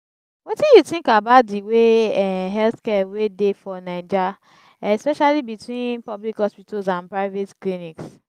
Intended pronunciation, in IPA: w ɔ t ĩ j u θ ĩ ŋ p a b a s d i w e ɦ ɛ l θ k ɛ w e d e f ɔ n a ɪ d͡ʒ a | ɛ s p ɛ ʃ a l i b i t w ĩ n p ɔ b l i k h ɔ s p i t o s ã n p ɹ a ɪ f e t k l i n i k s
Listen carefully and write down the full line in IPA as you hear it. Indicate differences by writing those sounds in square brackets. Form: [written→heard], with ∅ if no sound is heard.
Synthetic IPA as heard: w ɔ t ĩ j u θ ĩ ŋ [p→k] a b a [s→t] d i w e ɦ ɛ l θ k ɛ w e d e f ɔ n a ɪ d͡ʒ a | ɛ s p ɛ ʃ a l i b i t w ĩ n p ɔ b l i k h ɔ s p i t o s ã n p ɹ a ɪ [f→v] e t k l i n i k s